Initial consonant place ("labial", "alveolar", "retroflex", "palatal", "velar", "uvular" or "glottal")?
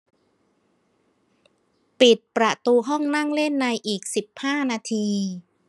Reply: labial